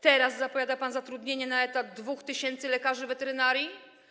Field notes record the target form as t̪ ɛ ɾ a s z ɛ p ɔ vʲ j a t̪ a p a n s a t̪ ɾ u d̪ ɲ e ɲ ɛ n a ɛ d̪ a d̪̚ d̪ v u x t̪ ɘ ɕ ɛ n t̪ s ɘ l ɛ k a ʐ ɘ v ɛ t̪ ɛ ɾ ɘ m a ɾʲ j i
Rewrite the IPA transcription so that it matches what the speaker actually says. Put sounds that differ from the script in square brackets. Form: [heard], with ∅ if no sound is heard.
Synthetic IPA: t̪ ɛ ɾ a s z [a] p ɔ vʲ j a [d̪] a p a n [z] a t̪ ɾ u d̪ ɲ e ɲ ɛ n a ɛ [t̪] a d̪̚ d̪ v u x t̪ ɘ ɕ ɛ n t̪ s ɘ l ɛ k a ʐ ɘ v ɛ t̪ ɛ ɾ ɘ [n] a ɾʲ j i